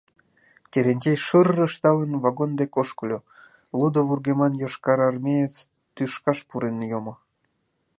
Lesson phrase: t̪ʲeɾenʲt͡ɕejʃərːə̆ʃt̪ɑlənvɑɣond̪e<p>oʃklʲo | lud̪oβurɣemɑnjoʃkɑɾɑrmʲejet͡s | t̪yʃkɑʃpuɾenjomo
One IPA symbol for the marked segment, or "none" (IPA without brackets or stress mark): k